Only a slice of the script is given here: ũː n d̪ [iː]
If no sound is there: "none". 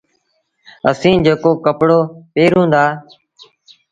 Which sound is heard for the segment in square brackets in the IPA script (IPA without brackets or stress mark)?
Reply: aː